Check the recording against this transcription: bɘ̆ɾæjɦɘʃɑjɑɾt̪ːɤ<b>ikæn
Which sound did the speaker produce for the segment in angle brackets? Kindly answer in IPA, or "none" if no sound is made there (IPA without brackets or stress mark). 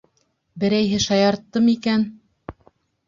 m